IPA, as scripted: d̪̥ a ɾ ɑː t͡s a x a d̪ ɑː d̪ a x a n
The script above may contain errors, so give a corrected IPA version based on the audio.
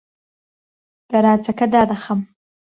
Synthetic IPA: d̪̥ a ɾ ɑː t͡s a k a d̪ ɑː d̪ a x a m